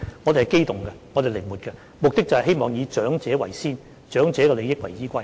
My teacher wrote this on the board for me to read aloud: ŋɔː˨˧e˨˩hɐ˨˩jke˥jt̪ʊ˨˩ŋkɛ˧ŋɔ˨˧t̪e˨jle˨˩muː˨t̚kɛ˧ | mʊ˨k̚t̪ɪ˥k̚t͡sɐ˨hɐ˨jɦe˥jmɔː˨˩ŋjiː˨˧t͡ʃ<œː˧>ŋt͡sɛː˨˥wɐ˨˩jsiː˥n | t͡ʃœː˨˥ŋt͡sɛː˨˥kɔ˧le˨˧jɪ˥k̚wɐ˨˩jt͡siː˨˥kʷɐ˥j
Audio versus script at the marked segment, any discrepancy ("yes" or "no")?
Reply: yes